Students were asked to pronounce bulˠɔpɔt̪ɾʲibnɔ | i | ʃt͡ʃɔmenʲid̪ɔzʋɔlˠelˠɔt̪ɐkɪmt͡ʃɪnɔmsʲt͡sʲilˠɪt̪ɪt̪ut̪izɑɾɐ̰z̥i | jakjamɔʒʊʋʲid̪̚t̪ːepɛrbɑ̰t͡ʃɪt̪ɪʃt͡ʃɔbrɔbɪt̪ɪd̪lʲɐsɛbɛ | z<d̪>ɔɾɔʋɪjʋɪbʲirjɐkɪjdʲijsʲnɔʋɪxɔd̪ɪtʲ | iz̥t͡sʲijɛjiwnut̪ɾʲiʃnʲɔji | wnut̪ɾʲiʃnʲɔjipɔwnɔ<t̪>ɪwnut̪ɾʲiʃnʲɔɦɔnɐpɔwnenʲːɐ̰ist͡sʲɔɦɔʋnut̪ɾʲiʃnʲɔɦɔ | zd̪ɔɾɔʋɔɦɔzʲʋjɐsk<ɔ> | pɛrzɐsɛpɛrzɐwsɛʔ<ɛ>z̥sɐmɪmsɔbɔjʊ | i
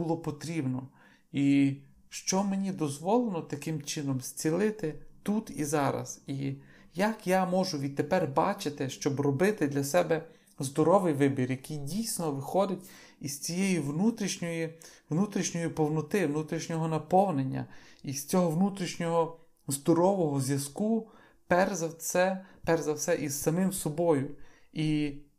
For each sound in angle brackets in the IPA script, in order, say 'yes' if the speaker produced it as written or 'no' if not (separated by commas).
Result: yes, yes, no, no